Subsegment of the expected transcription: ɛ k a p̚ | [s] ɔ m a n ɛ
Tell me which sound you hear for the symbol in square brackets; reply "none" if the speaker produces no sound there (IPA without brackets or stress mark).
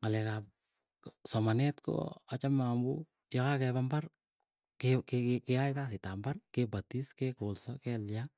s